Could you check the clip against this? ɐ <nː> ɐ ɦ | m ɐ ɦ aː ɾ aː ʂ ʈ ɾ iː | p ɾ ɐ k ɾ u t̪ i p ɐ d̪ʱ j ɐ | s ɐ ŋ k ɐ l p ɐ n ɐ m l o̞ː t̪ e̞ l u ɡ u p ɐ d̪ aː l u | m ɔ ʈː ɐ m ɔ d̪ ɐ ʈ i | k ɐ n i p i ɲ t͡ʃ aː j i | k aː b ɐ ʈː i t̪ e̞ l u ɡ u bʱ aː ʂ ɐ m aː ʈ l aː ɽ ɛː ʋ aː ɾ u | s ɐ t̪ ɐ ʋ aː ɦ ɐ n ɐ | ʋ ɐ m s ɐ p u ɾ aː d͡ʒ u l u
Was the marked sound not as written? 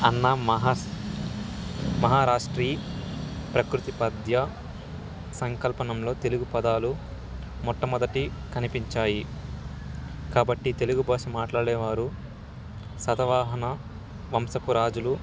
no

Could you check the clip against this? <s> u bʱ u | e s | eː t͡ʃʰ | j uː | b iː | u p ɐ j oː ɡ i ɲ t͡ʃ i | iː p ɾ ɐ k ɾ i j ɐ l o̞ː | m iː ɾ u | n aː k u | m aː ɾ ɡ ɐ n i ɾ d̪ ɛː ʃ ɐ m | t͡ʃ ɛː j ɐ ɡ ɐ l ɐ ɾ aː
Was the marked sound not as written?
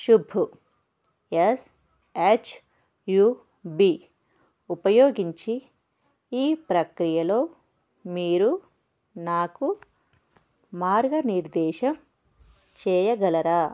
yes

